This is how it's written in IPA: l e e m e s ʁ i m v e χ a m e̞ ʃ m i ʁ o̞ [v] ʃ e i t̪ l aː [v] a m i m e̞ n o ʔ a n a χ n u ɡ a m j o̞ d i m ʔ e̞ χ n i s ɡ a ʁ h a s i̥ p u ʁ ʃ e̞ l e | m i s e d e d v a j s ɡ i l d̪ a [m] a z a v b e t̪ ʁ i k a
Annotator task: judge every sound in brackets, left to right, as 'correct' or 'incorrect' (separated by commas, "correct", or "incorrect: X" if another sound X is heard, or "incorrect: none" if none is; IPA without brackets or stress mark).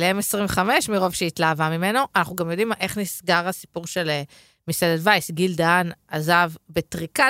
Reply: correct, correct, incorrect: n